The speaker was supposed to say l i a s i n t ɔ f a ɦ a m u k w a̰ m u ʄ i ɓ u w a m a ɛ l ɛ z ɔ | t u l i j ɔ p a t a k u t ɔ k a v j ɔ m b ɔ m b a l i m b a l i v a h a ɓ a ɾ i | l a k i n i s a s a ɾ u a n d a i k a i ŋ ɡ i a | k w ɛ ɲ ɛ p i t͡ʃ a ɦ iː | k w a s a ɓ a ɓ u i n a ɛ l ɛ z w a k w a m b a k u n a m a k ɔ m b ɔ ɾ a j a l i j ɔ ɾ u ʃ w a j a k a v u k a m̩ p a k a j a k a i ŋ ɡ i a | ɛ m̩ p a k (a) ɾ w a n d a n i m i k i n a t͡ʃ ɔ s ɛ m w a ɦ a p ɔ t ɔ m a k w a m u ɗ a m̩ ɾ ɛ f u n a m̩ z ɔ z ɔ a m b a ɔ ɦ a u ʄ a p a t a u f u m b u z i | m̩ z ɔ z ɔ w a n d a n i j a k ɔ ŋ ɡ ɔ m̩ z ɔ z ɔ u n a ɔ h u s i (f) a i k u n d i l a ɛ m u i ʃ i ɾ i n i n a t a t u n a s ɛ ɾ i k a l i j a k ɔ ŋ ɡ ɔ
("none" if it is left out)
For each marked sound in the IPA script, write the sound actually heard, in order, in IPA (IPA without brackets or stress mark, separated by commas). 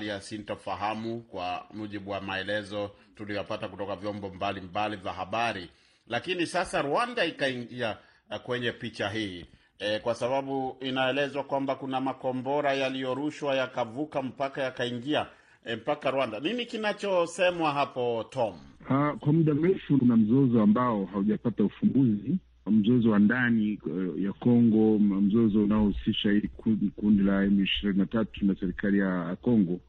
a, ʃ